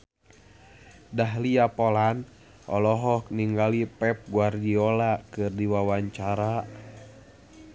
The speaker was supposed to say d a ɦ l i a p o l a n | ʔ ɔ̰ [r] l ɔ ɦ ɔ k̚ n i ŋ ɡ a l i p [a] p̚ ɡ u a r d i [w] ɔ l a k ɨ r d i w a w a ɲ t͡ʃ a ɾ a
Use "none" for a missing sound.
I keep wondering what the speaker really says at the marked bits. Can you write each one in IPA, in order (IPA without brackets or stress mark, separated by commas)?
none, ɛ, none